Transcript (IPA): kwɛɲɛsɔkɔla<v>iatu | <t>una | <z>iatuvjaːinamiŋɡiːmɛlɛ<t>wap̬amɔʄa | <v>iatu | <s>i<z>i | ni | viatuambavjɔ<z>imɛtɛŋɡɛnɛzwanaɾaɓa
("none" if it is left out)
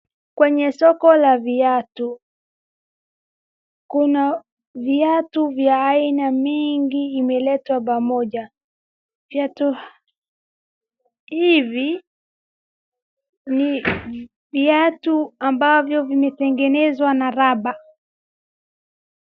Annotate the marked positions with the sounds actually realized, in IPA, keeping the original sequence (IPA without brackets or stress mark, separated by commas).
v, k, v, t, v, h, v, v